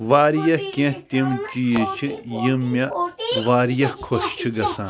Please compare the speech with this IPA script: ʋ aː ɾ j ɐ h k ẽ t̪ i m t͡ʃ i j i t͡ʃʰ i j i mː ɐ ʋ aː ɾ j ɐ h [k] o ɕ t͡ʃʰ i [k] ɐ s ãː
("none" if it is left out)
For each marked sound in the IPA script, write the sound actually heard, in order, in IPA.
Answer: kʰ, ɡ

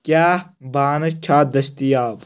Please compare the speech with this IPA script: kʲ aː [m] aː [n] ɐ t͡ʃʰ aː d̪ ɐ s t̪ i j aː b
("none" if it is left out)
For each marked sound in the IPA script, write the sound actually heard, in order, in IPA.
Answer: b, n

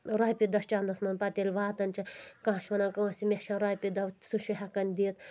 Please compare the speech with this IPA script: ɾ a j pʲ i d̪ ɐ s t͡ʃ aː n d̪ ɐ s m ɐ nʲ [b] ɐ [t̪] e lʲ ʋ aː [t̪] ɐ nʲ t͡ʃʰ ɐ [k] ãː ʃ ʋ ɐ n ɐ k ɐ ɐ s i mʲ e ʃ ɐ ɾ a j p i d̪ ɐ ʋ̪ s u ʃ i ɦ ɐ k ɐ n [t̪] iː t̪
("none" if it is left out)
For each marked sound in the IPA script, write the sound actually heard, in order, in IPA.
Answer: p, t̪, t̪, k, d̪

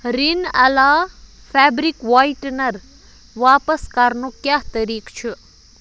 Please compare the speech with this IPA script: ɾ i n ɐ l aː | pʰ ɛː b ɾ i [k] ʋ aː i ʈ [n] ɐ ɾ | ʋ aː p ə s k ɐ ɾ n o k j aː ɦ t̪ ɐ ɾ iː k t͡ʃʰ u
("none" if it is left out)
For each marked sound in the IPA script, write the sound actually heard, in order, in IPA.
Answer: k, n

